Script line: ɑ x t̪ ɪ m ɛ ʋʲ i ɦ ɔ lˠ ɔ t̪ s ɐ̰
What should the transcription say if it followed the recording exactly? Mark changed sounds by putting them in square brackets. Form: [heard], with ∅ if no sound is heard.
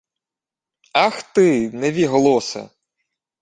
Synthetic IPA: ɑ x t̪ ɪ [n] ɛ ʋʲ i ɦ ɔ lˠ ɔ [∅] s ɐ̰